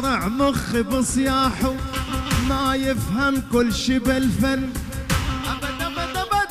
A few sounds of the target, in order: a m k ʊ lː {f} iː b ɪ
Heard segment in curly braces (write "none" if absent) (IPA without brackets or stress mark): ʃ